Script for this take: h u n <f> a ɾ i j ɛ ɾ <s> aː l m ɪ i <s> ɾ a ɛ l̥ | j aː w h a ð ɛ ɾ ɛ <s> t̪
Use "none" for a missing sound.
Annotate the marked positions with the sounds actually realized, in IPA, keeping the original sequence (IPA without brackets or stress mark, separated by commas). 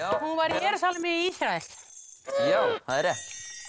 v, s, s, h